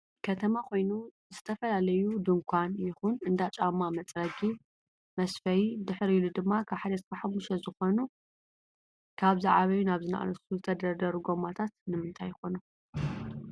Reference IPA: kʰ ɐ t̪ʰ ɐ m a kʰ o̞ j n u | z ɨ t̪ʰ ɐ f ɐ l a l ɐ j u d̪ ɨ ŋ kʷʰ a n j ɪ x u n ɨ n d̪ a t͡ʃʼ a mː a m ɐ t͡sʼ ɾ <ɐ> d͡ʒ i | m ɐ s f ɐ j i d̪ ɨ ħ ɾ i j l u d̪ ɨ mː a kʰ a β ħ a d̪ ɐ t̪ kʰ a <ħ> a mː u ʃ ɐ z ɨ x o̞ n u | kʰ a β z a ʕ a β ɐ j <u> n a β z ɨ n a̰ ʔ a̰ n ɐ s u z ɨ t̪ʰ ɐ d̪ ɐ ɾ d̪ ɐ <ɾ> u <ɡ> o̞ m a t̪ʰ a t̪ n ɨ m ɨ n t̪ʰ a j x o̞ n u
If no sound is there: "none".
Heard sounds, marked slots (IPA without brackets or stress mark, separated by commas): ɐ, ħ, u, ɾ, ɡ